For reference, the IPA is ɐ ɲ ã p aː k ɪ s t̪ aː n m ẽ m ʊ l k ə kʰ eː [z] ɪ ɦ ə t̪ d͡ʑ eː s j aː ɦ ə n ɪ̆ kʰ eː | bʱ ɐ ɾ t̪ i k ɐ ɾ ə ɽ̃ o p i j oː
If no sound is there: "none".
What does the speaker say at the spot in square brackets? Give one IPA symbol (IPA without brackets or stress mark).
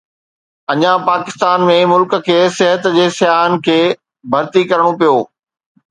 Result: s